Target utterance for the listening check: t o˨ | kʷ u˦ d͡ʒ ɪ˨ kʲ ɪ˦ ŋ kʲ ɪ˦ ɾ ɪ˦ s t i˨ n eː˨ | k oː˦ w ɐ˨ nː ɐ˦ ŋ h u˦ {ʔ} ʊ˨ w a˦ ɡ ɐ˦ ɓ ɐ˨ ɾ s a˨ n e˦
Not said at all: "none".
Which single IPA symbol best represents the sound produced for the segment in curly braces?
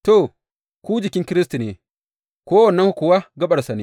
k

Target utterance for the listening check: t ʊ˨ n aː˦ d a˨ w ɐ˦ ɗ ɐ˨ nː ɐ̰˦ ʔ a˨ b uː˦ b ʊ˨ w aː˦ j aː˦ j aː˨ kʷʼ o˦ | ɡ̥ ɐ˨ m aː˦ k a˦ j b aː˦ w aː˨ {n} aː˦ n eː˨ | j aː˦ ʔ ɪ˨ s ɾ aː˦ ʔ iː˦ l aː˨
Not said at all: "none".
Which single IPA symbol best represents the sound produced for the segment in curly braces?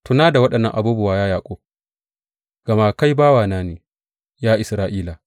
n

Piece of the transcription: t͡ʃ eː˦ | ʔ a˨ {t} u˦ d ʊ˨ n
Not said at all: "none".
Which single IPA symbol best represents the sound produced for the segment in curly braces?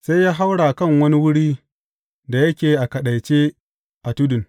t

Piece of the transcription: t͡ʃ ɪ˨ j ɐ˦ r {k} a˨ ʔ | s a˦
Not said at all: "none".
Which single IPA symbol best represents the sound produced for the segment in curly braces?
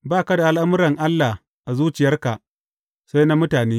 k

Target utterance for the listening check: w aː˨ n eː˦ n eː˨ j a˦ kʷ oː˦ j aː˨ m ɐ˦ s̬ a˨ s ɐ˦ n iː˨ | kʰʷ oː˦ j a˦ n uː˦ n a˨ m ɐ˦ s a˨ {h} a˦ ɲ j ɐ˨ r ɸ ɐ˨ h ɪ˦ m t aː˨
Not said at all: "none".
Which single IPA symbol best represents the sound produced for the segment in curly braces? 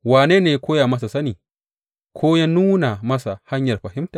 h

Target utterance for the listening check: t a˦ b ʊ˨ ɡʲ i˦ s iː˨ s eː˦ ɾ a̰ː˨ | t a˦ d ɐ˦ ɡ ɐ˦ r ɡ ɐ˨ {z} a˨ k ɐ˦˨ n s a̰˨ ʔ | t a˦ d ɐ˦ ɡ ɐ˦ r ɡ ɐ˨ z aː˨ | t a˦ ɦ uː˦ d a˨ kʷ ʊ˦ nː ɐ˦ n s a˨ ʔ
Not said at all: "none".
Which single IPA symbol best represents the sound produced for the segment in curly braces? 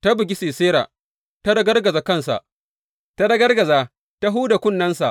z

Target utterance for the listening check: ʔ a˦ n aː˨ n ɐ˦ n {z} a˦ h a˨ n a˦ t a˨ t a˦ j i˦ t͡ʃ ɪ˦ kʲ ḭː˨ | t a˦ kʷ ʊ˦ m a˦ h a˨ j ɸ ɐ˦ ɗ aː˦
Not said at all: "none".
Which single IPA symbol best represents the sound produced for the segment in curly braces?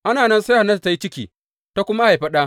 s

